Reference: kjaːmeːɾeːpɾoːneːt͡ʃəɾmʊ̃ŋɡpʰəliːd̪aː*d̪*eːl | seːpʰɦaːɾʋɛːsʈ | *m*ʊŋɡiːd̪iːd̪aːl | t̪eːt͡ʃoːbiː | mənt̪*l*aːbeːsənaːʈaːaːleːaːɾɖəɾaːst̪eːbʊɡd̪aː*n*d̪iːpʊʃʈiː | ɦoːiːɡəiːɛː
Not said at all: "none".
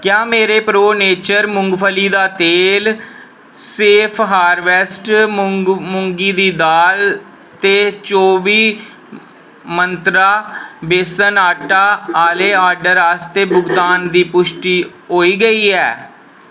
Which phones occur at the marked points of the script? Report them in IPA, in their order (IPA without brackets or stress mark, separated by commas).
t̪, m, ɾ, n